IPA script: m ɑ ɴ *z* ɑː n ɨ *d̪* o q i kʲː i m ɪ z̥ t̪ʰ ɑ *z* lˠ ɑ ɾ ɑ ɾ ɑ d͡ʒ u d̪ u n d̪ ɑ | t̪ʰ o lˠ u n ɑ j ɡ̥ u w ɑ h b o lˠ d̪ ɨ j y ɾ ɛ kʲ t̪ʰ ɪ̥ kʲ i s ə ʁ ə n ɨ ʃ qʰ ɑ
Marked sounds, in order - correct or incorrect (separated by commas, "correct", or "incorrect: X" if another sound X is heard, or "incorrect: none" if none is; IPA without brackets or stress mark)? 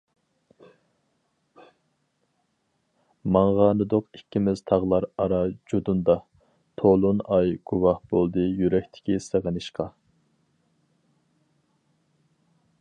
incorrect: ʁ, correct, incorrect: ʁ